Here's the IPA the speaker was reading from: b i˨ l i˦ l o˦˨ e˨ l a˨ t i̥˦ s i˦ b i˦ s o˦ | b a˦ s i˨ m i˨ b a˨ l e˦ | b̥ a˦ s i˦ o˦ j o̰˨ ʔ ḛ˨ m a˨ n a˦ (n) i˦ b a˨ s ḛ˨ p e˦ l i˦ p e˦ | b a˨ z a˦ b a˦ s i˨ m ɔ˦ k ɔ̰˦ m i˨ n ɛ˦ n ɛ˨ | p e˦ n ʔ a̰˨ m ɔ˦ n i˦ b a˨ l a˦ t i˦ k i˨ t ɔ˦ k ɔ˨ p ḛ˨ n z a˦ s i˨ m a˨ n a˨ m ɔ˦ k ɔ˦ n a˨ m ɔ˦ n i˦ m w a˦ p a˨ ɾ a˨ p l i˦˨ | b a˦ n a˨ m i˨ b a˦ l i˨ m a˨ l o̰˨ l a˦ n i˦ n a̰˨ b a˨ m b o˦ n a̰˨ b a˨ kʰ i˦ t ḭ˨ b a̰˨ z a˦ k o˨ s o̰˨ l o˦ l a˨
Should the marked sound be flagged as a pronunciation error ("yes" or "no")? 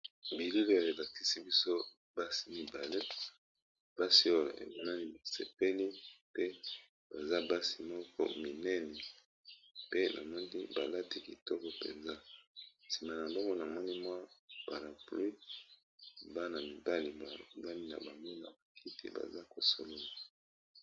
no